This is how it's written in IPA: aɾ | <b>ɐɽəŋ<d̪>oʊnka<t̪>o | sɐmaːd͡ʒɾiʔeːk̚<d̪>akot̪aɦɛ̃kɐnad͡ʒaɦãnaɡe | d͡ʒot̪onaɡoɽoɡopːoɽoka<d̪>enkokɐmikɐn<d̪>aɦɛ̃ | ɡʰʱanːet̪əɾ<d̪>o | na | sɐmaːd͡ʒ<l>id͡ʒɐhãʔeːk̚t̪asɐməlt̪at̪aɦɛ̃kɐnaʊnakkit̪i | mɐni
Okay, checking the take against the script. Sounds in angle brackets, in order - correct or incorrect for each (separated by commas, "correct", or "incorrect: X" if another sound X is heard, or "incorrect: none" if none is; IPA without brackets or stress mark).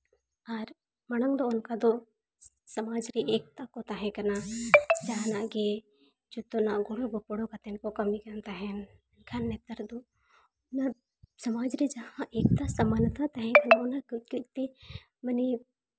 incorrect: m, correct, incorrect: d̪, incorrect: t̪, incorrect: t̪, incorrect: t̪, correct, incorrect: ɾ